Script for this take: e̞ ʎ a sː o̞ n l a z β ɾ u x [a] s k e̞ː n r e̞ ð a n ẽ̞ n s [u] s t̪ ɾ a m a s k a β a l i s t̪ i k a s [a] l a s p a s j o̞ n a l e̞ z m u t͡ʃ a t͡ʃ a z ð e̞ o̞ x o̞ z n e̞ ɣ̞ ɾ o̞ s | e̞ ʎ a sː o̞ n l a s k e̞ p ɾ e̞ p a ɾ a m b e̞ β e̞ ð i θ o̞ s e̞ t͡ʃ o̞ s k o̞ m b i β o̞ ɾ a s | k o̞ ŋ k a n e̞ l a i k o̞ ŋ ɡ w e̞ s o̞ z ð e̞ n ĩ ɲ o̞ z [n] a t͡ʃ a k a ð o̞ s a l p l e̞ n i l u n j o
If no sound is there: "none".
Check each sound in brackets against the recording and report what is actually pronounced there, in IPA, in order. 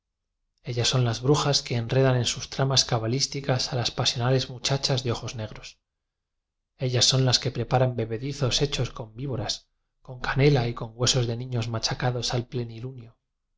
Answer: a, u, a, m

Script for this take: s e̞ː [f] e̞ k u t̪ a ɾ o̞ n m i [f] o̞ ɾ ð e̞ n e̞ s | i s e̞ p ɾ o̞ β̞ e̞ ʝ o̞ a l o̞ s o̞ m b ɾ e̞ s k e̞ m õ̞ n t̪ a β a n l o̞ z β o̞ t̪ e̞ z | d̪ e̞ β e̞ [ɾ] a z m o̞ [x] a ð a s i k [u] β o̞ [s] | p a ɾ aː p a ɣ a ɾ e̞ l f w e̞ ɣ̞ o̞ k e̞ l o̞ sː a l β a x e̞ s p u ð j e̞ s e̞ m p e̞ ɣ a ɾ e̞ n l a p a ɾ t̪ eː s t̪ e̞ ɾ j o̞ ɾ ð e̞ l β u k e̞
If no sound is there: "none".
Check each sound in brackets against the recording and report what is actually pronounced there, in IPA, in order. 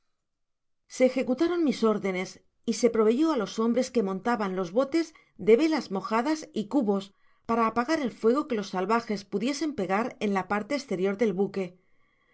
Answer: x, s, l, x, u, s

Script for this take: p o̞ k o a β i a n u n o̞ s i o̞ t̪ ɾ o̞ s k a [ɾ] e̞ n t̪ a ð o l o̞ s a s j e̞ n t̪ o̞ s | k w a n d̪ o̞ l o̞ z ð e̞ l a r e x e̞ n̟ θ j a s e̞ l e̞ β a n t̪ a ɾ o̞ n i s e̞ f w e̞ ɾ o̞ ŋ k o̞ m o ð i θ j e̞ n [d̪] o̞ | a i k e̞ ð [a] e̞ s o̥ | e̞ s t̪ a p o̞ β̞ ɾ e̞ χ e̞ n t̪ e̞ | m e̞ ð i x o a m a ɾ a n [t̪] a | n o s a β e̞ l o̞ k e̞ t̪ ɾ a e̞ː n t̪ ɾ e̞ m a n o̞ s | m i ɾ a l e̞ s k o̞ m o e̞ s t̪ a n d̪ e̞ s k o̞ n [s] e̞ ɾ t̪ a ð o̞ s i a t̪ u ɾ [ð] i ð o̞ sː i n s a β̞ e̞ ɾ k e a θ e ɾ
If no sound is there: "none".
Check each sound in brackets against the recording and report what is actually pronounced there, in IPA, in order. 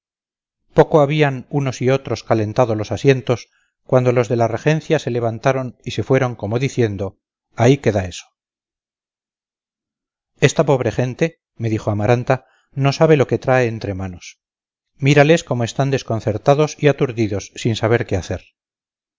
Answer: l, d̪, a, t̪, θ, ð

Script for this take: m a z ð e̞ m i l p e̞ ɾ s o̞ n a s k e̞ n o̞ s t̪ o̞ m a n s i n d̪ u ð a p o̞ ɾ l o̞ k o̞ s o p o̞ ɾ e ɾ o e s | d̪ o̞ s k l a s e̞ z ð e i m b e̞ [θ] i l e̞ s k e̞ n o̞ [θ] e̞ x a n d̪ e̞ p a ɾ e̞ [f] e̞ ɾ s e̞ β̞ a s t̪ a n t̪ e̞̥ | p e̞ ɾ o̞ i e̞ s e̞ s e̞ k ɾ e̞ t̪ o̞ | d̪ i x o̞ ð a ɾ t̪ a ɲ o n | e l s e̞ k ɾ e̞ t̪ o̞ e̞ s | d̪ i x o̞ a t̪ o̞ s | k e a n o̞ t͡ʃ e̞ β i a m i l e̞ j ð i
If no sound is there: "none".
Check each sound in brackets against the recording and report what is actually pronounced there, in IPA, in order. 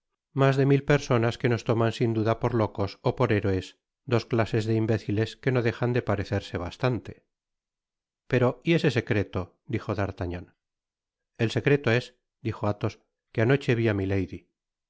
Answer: θ, ð, θ

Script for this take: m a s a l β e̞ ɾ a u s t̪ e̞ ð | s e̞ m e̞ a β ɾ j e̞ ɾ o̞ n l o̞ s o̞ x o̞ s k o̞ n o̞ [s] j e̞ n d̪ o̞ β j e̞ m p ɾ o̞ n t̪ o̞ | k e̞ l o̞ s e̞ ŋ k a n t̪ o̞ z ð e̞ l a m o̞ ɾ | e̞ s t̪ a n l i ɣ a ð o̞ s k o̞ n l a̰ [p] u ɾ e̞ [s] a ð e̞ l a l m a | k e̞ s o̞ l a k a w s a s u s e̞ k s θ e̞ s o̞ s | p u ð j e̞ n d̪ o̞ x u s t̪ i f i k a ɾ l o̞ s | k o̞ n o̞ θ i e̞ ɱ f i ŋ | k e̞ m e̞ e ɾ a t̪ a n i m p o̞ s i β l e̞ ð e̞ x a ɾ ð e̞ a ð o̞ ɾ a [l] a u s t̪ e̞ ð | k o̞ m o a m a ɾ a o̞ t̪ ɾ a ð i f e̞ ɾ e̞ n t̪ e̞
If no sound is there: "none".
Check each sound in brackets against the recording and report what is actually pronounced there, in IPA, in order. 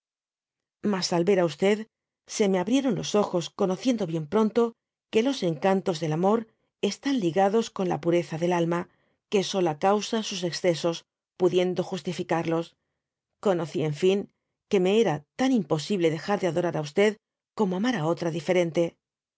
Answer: θ, p, θ, ɾ

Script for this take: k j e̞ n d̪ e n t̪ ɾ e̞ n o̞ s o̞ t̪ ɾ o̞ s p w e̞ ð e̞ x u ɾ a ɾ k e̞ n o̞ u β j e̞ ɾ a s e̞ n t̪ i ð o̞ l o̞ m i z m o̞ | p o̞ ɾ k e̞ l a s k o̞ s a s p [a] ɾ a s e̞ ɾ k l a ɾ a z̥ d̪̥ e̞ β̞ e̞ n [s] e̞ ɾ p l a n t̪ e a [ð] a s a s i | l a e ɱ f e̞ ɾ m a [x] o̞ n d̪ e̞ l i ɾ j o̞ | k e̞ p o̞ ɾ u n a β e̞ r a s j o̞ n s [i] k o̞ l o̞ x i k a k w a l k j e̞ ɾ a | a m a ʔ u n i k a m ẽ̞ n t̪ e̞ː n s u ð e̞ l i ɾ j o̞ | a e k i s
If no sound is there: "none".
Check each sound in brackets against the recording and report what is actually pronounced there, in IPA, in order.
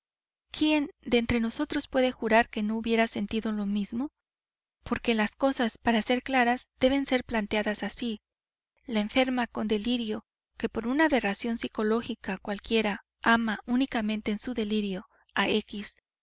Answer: a, s, ð, k, i

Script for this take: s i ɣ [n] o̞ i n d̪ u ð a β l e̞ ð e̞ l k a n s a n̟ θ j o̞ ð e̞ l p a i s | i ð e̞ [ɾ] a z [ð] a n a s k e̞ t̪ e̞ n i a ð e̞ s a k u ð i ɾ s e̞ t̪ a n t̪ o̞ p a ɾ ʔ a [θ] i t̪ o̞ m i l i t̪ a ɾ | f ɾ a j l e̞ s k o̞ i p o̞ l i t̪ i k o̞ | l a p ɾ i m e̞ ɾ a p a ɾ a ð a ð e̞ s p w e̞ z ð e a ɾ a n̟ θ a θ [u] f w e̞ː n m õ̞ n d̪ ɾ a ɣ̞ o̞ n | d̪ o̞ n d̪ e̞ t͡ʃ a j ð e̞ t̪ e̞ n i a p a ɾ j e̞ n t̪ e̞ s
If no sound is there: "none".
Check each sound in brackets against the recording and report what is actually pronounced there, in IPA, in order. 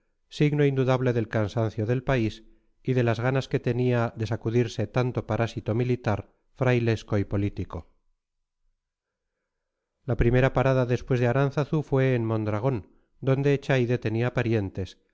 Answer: n, l, ɣ, s, u

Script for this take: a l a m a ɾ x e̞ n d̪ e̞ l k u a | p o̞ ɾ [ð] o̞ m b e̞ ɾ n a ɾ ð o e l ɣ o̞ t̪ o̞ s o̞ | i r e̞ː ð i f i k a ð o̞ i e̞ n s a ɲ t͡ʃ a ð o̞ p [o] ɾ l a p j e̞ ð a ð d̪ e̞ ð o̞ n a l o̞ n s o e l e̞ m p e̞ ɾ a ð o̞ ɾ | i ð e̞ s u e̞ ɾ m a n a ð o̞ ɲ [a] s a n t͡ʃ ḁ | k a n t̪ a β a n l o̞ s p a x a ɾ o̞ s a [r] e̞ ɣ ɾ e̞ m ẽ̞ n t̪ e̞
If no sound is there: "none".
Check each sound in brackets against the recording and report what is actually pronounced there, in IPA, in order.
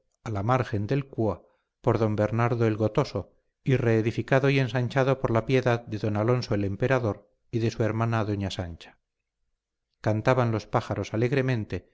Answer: ð, o, a, l

